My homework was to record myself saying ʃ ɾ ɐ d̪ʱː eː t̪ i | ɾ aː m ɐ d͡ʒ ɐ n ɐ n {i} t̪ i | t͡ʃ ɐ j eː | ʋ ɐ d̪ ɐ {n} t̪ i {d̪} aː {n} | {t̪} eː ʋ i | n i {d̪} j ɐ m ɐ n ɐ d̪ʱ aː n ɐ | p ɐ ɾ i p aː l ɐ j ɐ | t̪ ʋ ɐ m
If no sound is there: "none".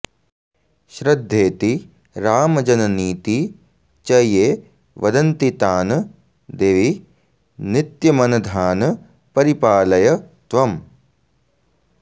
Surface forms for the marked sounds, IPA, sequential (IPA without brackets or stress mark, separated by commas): iː, n, t̪, n, d̪, t̪